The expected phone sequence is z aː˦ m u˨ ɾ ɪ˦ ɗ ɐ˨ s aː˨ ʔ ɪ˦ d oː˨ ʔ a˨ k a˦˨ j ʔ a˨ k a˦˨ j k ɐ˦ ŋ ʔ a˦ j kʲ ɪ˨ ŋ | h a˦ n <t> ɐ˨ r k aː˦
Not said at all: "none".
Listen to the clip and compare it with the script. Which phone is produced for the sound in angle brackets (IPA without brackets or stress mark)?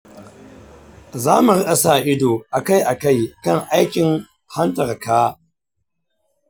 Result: t